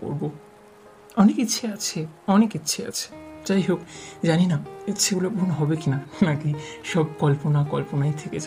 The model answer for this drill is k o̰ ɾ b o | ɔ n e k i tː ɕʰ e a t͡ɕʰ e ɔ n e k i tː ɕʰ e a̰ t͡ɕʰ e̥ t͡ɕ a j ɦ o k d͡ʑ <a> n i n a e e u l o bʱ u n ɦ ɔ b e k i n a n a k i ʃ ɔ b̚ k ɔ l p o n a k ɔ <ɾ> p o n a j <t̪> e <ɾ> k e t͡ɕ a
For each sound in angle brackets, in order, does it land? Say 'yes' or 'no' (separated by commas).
yes, no, no, no